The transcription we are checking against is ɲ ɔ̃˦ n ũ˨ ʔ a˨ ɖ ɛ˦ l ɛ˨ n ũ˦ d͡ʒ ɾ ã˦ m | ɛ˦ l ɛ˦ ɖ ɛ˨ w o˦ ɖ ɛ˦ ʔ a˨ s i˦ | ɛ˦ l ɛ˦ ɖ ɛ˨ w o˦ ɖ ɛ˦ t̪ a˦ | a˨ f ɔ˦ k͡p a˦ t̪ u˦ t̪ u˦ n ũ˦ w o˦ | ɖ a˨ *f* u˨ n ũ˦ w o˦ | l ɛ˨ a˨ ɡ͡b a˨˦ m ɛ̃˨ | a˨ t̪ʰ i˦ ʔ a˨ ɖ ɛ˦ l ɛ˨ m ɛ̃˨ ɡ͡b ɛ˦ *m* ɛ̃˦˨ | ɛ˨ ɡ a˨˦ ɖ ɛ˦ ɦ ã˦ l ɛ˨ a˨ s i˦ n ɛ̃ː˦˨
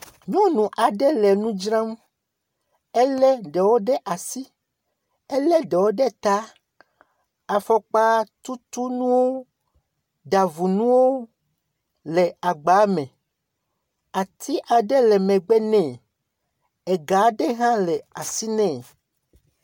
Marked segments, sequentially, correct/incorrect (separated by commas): incorrect, incorrect